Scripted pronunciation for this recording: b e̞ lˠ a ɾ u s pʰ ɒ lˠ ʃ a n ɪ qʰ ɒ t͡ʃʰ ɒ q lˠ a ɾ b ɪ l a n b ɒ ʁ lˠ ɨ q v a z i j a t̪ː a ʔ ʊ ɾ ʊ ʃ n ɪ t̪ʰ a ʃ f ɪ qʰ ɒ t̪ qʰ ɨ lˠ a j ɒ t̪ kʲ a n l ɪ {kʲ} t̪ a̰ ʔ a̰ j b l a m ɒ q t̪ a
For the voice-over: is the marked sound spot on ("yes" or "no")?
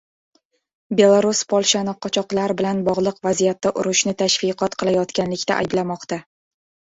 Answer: yes